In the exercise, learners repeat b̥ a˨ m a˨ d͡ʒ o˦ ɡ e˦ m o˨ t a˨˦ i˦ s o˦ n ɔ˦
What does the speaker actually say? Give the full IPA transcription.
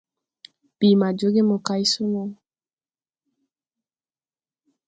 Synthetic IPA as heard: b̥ i˨ m a˨ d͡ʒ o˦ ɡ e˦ m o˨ k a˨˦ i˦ s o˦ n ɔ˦